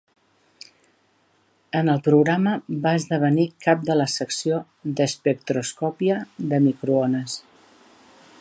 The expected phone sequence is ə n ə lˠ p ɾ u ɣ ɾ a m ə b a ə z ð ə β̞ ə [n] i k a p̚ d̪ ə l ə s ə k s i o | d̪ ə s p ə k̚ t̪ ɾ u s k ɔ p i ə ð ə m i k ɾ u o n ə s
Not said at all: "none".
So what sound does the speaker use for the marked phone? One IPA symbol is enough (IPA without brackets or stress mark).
n